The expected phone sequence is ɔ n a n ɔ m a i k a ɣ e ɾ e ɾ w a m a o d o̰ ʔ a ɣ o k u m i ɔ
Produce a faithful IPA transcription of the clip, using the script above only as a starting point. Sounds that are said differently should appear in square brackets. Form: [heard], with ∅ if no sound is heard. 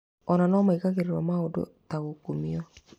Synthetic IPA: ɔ n a n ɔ m a i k a ɣ e ɾ e ɾ w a m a o d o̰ [t] a ɣ o k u m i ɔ